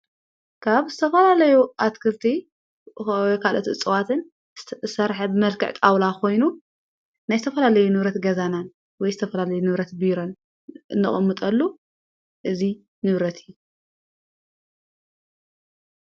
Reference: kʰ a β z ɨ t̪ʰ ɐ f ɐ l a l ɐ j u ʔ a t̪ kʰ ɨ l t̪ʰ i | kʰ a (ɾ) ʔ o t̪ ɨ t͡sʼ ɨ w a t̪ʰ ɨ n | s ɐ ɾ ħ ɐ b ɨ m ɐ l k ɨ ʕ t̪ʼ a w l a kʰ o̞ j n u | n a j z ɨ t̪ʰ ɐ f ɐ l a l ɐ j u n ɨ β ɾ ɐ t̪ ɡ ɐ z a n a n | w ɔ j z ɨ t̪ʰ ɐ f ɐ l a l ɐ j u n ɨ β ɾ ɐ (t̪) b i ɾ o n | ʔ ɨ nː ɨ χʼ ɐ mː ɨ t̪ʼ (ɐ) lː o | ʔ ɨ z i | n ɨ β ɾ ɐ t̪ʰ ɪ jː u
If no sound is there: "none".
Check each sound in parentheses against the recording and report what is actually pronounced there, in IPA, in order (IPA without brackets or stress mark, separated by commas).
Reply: l, t̪, ɐ